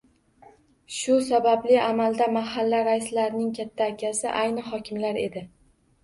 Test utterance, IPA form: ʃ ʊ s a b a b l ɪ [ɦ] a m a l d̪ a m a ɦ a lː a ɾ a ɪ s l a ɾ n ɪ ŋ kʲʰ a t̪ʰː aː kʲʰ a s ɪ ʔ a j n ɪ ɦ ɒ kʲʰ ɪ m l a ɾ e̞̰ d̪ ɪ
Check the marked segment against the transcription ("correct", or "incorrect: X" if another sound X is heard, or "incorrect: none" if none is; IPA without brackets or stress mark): incorrect: none